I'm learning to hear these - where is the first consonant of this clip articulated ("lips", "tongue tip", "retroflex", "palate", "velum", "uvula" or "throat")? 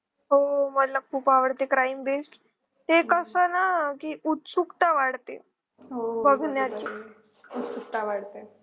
throat